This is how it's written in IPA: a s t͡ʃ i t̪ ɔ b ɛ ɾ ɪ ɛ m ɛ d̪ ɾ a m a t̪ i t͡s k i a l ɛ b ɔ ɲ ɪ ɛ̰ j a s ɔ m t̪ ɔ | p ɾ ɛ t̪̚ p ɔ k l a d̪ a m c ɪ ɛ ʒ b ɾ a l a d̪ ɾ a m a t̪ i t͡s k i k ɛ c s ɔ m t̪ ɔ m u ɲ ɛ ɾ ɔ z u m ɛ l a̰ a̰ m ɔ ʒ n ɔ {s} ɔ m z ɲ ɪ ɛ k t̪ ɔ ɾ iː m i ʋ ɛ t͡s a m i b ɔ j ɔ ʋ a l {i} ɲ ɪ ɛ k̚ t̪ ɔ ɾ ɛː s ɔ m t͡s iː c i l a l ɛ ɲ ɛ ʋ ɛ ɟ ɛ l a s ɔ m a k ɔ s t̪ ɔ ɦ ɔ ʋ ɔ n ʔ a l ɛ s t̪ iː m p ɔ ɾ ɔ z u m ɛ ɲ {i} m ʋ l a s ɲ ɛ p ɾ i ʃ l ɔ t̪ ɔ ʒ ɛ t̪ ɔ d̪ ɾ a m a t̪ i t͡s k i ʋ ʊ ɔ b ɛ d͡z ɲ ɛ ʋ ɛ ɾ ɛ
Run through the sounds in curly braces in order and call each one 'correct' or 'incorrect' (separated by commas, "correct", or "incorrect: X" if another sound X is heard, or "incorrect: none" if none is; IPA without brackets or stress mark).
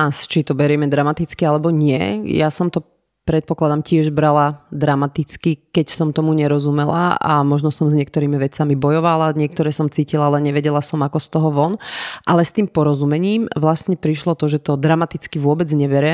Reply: correct, incorrect: a, incorrect: iː